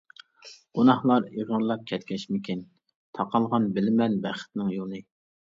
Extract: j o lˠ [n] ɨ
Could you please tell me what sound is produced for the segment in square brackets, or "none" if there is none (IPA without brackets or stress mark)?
n